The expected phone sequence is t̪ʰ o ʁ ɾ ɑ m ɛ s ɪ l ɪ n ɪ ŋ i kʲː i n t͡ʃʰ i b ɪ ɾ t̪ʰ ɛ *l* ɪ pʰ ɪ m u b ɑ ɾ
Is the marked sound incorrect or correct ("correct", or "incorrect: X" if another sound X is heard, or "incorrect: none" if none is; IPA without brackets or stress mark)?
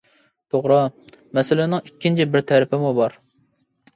incorrect: ɾ